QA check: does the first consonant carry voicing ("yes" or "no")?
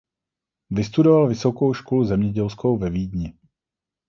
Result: yes